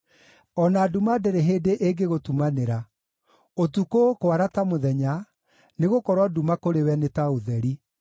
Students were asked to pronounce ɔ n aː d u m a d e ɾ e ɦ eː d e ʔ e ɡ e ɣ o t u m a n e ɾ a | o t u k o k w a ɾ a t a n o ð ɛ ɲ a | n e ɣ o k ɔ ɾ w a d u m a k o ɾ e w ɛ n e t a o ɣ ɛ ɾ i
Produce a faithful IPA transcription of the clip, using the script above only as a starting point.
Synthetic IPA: ɔ n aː d u m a d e ɾ e ɦ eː d e ʔ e ɡ e ɣ o t u m a n e ɾ a | o t u k o k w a ɾ a t a m o ð ɛ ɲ a | n e ɣ o k ɔ ɾ w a d u m a k o ɾ e w ɛ n e t a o ð ɛ ɾ i